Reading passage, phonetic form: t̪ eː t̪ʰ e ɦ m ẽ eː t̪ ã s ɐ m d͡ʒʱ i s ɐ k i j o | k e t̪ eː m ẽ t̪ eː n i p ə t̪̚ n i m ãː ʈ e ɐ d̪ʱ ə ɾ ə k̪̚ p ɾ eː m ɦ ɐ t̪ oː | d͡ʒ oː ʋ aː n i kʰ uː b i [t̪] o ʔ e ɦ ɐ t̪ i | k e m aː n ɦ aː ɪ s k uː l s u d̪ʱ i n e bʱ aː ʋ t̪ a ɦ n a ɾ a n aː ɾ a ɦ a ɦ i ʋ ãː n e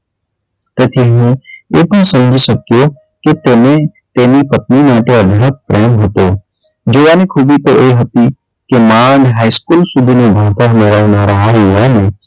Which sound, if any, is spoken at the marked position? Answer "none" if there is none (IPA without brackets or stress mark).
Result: t̪